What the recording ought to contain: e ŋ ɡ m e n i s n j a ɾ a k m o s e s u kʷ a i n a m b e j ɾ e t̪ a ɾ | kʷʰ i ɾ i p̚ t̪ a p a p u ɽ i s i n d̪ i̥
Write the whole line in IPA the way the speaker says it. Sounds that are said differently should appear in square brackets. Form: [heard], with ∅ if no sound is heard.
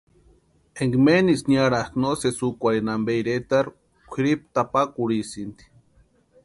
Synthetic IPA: e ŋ ɡ m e n i s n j a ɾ a k [n] o s e s u kʷ a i n a m b e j ɾ e t̪ a ɾ | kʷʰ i ɾ i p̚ t̪ a p a [k] u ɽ i s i n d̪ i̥

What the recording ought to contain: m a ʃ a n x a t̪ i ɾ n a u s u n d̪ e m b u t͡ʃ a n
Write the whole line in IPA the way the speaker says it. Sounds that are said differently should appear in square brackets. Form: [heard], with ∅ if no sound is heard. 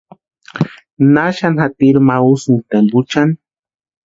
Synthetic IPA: [n] a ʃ a n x a t̪ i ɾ [m] a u s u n [t̪] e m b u t͡ʃ a n

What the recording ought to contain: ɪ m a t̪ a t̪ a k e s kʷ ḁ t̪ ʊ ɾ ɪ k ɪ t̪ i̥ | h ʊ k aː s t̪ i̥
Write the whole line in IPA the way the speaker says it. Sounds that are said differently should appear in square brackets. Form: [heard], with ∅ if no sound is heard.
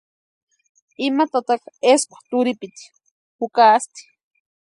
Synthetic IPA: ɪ m a t̪ a t̪ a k e s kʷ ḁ t̪ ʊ ɾ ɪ [p] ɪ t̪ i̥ | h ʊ k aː s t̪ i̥

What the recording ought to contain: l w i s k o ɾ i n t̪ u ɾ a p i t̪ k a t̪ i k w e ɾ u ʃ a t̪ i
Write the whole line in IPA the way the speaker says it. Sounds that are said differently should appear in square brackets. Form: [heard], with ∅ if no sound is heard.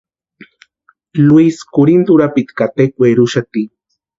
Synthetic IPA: l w i s k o ɾ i n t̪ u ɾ a p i t̪ k a t̪ [e] k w e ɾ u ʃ a t̪ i

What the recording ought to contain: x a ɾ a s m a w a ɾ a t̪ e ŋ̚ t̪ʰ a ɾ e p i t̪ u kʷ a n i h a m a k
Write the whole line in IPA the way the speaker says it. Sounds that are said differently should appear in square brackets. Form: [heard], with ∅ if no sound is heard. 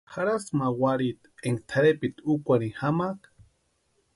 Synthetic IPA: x a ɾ a s m a w a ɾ [i] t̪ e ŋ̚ t̪ʰ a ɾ e p i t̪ u kʷ a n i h a m a k

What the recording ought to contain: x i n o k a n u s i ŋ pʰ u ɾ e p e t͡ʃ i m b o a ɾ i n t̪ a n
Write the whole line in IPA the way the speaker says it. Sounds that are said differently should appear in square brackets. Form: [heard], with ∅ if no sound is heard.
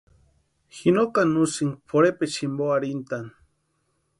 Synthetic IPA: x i n o k a n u s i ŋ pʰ [o] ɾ e p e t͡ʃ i m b o a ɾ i n t̪ a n

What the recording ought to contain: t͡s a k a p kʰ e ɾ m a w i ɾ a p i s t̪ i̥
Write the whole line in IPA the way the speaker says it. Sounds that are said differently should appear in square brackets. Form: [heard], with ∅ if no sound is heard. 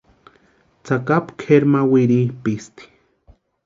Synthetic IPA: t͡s a k a p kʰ e ɾ m a w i ɾ [i] p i s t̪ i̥

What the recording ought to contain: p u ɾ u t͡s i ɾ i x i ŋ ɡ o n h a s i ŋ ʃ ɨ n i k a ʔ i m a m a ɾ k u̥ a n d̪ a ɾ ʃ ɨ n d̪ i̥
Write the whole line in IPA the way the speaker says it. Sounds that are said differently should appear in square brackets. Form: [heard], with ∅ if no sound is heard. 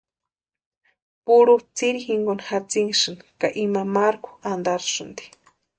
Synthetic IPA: p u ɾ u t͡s i ɾ i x i ŋ ɡ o n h a [t͡s] i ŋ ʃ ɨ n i k a ʔ i m a m a ɾ k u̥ a n d̪ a ɾ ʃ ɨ n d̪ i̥

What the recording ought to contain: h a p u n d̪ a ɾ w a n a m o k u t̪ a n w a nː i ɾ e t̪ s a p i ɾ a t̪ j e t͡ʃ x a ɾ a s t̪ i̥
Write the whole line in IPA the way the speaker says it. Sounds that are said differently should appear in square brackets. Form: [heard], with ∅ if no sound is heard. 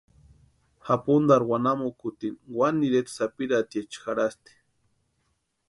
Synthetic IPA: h a p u n d̪ a ɾ w a n a m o k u t̪ [i] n w a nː i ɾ e t̪ s a p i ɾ a t̪ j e t͡ʃ x a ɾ a s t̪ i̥

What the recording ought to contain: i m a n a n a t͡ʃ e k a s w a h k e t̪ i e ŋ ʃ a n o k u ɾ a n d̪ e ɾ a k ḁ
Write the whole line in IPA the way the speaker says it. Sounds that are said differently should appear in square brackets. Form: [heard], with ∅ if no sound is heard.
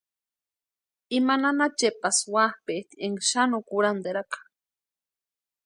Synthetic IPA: i m a n a n a t͡ʃ e [p] a s w a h [p] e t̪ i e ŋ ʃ a n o k u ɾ a n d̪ e ɾ a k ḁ

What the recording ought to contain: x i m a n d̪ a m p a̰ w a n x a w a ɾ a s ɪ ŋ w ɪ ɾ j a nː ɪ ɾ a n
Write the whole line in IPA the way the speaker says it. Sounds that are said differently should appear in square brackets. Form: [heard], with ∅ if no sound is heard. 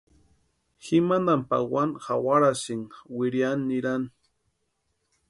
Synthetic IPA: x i m a n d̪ a m p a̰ w a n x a w a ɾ a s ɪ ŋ w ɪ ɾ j a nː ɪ ɾ a n

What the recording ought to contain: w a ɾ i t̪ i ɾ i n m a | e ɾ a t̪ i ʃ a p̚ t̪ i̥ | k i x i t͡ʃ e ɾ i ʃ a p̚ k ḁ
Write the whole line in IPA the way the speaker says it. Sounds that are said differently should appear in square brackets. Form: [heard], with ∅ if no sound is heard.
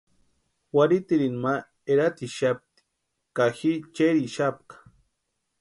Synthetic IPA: w a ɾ i t̪ i ɾ i n m a | e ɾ a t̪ i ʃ a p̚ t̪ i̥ | k [a] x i t͡ʃ e ɾ i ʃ a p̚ k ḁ

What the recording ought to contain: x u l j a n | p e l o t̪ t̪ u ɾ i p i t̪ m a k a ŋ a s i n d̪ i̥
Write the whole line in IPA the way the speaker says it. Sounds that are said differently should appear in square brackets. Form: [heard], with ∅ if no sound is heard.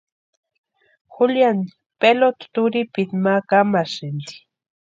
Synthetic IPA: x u l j a n | p e l o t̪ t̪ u ɾ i p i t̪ m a k a [m] a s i n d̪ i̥

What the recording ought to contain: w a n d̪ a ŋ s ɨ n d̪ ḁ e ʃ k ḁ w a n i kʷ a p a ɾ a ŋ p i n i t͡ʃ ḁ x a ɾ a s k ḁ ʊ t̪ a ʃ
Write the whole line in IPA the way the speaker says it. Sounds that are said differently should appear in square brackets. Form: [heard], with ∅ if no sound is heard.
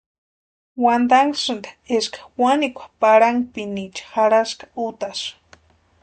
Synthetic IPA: w a n d̪ a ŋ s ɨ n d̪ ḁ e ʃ k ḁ w a n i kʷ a p a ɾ a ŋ p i n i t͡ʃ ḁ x a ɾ a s k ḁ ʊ t̪ a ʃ

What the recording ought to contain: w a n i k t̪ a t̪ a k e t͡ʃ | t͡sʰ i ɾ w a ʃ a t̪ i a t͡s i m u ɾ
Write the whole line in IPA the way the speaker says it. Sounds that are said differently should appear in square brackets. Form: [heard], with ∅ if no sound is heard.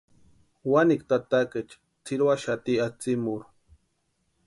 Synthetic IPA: w a n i k t̪ a t̪ a k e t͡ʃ | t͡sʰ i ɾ w a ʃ a t̪ i a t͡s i m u ɾ

